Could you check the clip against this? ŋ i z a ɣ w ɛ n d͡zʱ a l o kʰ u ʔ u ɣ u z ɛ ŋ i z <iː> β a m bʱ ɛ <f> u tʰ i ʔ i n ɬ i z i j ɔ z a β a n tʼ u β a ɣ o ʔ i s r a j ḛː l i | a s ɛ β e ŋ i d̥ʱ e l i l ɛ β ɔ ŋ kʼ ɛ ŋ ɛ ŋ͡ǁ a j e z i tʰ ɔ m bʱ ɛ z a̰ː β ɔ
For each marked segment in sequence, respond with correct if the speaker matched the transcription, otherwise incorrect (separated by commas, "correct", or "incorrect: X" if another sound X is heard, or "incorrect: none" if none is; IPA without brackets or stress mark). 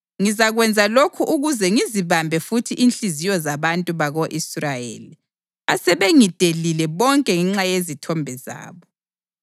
incorrect: i, correct